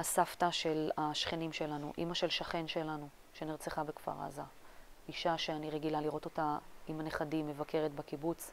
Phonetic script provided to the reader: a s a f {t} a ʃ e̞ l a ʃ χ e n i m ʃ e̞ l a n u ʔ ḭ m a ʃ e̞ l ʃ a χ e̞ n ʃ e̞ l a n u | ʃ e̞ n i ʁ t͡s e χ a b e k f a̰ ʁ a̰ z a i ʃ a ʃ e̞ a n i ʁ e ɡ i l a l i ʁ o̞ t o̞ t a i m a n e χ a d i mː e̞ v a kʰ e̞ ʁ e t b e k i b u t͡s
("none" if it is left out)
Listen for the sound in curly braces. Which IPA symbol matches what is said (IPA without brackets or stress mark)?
t